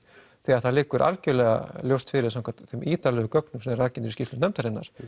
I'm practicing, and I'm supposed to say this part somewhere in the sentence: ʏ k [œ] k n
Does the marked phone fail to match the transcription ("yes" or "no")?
no